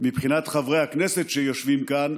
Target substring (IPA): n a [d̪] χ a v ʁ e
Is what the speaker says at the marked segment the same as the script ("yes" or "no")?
no